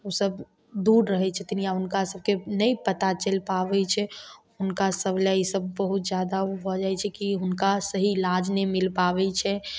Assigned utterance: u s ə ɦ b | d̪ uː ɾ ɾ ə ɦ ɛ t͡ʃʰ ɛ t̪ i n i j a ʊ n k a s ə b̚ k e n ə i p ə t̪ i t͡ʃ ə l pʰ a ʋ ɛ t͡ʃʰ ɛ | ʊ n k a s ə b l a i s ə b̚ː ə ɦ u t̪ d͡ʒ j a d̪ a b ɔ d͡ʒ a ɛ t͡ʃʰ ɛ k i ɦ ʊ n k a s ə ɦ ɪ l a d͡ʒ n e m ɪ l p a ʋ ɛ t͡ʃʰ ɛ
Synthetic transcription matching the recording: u s ə b | d̪ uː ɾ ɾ ə ɦ ɛ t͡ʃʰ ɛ t̪ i n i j a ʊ n k a s ə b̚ k e n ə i p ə t̪ a t͡ʃ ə l p a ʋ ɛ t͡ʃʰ ɛ | ʊ n k a s ə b l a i s ə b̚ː ə ɦ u t̪ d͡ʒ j a d̪ a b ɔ d͡ʒ a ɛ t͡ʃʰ ɛ k i ɦ ʊ n k a s ə ɦ i l a d͡ʒ n e m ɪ l p a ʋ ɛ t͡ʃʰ ɛ